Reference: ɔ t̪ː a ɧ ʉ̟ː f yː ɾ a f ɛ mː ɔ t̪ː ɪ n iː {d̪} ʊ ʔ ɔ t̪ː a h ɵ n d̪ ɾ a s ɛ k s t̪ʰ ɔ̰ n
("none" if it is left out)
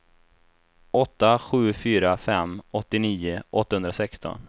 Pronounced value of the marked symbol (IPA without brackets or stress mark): none